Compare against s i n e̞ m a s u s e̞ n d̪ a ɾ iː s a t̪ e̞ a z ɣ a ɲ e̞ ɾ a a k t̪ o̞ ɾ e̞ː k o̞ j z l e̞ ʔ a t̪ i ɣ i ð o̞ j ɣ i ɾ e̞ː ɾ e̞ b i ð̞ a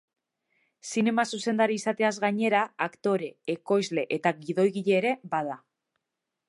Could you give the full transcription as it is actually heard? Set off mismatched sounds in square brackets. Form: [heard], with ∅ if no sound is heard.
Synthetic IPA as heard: s i n e̞ m a s u s e̞ n d̪ a ɾ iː s a t̪ e̞ a z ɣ a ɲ e̞ ɾ a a k t̪ o̞ ɾ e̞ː k o̞ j z l e̞ ʔ [e] t̪ [a] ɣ i ð o̞ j ɣ i [ʎ] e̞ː ɾ e̞ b [a] ð̞ a